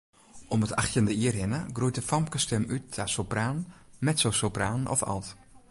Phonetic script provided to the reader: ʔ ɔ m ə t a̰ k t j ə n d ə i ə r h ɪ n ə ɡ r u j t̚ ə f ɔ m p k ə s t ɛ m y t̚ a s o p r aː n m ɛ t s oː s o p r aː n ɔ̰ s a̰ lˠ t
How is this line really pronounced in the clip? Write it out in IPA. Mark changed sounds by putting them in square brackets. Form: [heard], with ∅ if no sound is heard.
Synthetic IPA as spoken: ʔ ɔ m ə t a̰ [x] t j ə n d ə i ə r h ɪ n ə ɡ r u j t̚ ə f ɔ m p k ə s t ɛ m y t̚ a s o p r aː n m ɛ t s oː s o p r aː n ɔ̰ [f] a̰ lˠ t